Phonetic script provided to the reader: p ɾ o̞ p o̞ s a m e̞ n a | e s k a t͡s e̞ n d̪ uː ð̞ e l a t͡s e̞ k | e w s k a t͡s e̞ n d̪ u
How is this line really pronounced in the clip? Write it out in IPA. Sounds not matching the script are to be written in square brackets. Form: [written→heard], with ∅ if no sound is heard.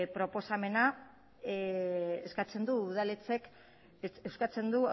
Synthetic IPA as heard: p ɾ o̞ p o̞ s a m e̞ n a | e s k a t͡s e̞ n d̪ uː ð̞ [e→a] l [a→e] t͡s e̞ k | e w s k a t͡s e̞ n d̪ u